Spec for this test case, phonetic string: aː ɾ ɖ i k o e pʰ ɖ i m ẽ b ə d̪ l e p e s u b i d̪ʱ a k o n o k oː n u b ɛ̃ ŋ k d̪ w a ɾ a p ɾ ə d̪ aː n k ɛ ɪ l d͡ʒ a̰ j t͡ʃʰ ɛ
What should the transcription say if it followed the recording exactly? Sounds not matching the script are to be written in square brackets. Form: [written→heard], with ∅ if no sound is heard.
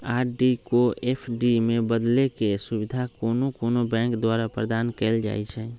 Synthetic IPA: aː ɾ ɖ i k o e pʰ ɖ i m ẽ b ə d̪ l e [p→k] e s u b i d̪ʱ a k o n o k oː n [u→o] b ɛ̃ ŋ k d̪ w a ɾ a p ɾ ə d̪ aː n k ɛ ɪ l d͡ʒ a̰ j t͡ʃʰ ɛ

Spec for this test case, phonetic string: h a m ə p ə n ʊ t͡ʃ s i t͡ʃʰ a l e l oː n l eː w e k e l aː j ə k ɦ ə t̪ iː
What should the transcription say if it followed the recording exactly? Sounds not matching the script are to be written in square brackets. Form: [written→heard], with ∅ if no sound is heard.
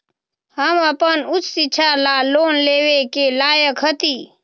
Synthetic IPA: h [a→ə] m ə p ə n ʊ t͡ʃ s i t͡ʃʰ a l [e→a] l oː n l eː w e k e l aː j ə k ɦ ə t̪ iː

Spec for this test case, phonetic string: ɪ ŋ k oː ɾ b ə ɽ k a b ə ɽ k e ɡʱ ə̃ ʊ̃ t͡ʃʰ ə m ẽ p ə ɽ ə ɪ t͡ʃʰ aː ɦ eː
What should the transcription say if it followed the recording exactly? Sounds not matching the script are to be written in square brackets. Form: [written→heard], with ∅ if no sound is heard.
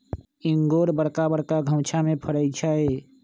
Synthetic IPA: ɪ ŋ [k→ɡ] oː ɾ b ə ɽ k a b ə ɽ k [e→a] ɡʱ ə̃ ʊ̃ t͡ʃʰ [ə→a] m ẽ [p→pʰ] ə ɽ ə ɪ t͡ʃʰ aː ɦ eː

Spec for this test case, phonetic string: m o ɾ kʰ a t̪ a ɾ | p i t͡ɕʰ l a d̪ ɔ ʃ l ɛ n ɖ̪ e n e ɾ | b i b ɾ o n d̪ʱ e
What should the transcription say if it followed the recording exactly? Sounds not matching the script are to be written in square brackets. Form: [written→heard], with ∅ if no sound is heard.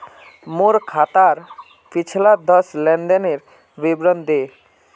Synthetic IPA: m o ɾ kʰ a t̪ a ɾ | p i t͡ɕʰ l a d̪ ɔ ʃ l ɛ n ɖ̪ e n e ɾ | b i b ɾ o n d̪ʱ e

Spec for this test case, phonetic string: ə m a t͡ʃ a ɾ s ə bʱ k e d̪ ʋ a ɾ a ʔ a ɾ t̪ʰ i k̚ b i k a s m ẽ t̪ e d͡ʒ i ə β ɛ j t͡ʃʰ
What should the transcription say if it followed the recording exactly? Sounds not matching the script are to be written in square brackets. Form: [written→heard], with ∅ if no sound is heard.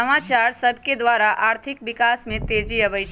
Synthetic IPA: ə m a t͡ʃ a ɾ s ə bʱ k e d̪ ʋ a ɾ a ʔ a ɾ t̪ʰ i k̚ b i k a s m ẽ t̪ e d͡ʒ i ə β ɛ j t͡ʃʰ

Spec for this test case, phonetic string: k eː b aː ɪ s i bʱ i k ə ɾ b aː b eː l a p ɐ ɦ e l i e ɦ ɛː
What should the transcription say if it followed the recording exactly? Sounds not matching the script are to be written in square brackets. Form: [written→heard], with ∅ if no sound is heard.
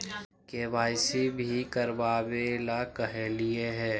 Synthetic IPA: k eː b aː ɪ s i bʱ i k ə ɾ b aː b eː l a [p→k] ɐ ɦ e l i e ɦ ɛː

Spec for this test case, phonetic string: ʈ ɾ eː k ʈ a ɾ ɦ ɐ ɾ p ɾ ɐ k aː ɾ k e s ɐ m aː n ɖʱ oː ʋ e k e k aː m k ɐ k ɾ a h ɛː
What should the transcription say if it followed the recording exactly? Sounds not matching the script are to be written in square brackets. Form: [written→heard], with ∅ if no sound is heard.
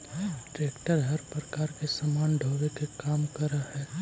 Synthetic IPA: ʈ ɾ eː k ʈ [a→ə] ɾ ɦ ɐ ɾ p ɾ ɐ k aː ɾ k e s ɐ m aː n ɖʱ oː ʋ e k e k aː m k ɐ [k→∅] ɾ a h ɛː

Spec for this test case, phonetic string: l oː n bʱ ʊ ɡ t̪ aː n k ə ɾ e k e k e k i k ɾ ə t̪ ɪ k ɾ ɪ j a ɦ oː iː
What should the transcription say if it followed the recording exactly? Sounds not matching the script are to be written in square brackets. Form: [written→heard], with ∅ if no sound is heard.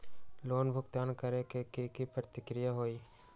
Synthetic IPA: l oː n bʱ ʊ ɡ t̪ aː n k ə ɾ e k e k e k i [k→p] ɾ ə t̪ ɪ k ɾ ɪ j a ɦ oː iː

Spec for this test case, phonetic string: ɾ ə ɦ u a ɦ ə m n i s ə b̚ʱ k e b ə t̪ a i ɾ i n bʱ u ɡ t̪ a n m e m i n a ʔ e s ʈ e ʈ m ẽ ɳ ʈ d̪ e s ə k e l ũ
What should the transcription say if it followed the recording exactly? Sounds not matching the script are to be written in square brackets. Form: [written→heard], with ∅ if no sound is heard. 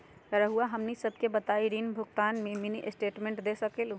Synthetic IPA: ɾ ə ɦ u a ɦ ə m n i s ə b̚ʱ k e b ə t̪ a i ɾ i n bʱ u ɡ t̪ a n m e m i n [a→i] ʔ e s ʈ e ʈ m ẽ ɳ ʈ d̪ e s ə k e l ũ

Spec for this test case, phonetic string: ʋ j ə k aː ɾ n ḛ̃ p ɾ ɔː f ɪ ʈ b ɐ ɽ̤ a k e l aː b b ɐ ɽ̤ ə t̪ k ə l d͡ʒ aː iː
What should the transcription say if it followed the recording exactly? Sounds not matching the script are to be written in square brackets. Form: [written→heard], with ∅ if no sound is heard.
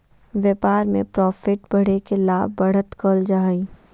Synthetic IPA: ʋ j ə [k→p] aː ɾ [n→m] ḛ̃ p ɾ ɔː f ɪ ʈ b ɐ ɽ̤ [a→e] k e l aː b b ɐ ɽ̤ ə t̪ k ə l d͡ʒ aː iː

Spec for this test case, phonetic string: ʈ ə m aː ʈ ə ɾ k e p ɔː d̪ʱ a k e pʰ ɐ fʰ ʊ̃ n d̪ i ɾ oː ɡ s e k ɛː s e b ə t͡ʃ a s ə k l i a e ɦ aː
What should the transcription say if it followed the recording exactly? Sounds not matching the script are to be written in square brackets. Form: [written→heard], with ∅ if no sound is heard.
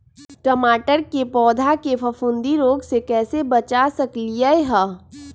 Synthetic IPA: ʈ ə m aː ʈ ə ɾ k e p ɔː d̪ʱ a k e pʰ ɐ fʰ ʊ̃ n d̪ i ɾ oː ɡ s e k ɛː s e b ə t͡ʃ a s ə k l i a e ɦ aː

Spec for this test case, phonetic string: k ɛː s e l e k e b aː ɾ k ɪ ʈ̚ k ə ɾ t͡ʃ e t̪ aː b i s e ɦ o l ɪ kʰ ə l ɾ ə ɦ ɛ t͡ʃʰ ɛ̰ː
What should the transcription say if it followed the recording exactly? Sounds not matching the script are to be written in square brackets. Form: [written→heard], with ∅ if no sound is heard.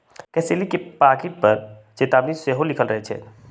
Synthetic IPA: k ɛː s e l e k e [b→p] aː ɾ k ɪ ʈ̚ [k→p] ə ɾ t͡ʃ e t̪ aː b i s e ɦ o l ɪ kʰ ə l ɾ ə ɦ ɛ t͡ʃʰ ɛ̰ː

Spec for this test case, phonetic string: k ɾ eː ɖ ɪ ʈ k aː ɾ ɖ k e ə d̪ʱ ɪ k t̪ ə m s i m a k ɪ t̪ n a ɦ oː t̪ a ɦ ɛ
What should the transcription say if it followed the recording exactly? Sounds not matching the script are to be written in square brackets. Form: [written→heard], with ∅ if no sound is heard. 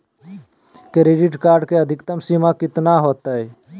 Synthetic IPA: k ɾ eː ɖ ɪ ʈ k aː ɾ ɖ k e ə d̪ʱ ɪ k t̪ ə m s i m a k ɪ t̪ n a ɦ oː t̪ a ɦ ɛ

